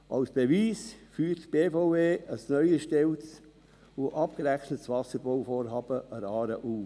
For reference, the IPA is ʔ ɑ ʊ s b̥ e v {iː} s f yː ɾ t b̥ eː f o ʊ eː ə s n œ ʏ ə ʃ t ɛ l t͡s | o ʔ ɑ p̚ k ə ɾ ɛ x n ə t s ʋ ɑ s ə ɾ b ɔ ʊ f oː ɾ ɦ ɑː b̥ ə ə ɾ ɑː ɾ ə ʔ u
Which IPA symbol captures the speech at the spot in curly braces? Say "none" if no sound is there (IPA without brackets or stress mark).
iː